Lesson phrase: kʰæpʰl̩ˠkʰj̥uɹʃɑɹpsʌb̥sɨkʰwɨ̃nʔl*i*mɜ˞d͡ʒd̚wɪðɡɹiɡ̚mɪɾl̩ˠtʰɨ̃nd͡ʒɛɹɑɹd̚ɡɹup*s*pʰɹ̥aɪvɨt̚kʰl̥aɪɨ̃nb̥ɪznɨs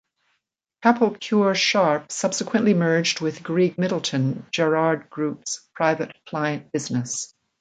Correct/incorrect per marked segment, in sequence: correct, correct

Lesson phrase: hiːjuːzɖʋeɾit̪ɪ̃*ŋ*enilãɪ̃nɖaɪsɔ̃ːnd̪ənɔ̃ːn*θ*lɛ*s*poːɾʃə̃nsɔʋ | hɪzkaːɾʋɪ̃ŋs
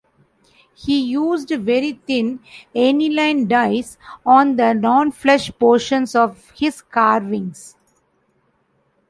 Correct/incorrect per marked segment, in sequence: incorrect, incorrect, incorrect

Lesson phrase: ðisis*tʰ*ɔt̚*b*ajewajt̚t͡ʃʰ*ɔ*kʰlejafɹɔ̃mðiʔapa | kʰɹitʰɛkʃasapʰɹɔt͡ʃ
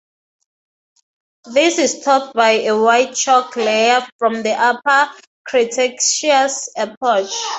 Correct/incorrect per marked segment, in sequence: correct, correct, correct

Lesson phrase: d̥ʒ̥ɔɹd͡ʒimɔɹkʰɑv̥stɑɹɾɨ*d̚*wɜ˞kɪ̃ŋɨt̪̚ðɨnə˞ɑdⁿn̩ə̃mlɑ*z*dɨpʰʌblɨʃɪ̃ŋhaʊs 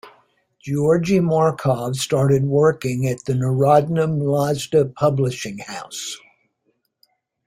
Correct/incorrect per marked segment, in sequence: correct, correct

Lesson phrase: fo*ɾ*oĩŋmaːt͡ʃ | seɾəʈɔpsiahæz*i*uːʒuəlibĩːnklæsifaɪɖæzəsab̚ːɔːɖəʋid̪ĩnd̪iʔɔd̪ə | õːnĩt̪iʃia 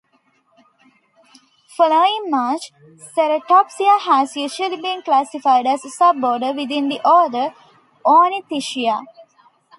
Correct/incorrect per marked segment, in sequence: incorrect, incorrect

